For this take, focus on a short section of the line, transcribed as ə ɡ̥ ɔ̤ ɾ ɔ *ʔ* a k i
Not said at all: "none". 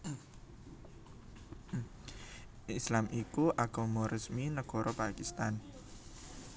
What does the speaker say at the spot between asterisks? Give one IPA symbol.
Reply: p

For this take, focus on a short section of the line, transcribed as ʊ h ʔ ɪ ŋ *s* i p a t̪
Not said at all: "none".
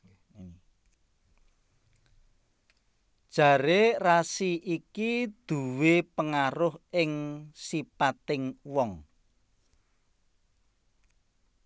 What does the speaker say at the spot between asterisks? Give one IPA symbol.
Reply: s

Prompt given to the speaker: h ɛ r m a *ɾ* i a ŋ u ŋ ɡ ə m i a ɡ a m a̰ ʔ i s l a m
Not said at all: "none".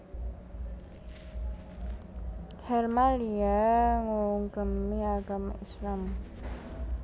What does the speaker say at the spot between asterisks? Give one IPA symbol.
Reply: l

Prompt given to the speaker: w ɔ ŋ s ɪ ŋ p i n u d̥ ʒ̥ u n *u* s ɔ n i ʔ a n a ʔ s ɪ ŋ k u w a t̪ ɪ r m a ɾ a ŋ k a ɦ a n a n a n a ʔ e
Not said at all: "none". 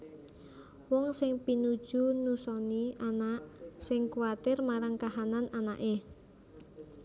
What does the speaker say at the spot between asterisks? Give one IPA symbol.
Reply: u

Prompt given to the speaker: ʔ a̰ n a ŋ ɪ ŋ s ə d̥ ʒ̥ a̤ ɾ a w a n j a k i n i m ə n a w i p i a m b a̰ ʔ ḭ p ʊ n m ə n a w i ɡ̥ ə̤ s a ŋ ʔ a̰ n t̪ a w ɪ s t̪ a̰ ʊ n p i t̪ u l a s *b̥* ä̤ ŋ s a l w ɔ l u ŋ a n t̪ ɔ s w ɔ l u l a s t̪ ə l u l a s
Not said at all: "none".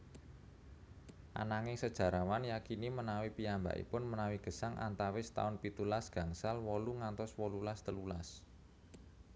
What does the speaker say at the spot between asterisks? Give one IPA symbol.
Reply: ɡ̥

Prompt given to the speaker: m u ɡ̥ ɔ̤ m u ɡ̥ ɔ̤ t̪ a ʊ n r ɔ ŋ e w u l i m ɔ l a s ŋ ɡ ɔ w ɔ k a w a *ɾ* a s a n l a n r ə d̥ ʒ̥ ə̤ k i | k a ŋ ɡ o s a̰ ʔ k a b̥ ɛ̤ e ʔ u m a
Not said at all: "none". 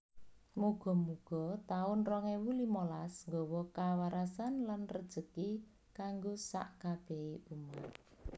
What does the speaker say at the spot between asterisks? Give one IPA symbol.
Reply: ɾ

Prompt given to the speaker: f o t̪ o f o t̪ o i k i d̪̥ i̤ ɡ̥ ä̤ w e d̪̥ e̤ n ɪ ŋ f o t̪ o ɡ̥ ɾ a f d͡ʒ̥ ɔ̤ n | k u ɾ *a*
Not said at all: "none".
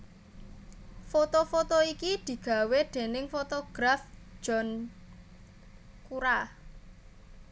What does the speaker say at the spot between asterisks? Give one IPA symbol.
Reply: a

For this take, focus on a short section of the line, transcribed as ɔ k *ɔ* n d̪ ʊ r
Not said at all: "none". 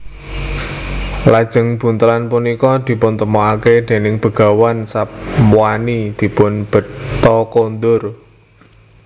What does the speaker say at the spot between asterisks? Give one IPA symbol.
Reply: o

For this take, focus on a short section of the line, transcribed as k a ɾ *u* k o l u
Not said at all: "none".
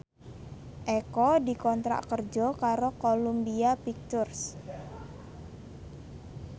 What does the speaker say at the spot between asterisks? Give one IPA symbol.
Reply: o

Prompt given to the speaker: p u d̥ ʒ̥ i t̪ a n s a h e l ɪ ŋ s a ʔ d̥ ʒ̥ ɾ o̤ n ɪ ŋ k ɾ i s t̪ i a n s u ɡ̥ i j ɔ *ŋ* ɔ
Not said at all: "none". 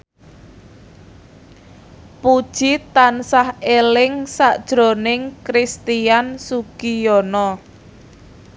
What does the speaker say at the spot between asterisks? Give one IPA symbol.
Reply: n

